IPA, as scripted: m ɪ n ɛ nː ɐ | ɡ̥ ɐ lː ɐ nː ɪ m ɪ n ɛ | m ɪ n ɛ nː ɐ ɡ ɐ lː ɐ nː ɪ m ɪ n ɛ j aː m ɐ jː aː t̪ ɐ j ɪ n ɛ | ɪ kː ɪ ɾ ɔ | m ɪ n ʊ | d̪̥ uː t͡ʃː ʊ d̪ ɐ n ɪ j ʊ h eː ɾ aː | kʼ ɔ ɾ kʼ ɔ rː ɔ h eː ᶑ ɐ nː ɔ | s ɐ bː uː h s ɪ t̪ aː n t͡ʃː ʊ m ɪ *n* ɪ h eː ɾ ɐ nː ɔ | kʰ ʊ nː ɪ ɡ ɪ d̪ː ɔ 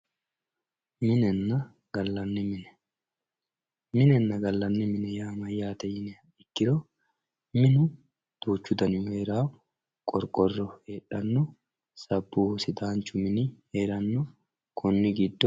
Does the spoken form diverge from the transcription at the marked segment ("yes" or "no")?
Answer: no